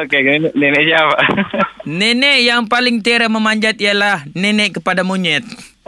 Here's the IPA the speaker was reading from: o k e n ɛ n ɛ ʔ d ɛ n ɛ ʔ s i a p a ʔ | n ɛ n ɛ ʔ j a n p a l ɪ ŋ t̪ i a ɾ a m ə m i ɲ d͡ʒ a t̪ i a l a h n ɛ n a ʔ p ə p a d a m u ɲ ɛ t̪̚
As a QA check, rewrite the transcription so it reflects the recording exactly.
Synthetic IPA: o k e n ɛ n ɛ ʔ n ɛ n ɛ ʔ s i a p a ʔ | n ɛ n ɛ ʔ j a ŋ p a l ɪ ŋ t̪ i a ɾ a m ə m a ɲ d͡ʒ a t̪ i a l a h n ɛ n ɛ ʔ k ə p a d a m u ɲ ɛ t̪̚